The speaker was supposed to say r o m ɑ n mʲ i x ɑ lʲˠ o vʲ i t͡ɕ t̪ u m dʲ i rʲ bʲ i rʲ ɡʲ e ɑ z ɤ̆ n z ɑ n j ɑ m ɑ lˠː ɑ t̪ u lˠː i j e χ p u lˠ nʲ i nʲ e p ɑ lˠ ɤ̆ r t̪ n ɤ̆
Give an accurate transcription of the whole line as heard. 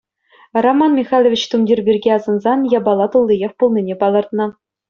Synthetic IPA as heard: r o m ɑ n mʲ i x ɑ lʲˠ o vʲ i t͡ɕ t̪ u m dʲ i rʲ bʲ i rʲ ɡʲ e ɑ z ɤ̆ n z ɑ n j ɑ b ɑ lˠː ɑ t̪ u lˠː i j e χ p u lˠ nʲ i nʲ e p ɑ lˠ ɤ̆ r t̪ n ɤ̆